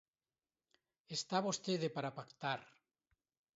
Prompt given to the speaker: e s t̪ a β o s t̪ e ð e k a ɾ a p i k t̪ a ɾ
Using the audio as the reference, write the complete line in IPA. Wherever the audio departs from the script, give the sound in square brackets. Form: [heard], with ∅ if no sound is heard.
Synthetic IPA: e s t̪ a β o s t̪ e ð e [p] a ɾ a p [a] k t̪ a ɾ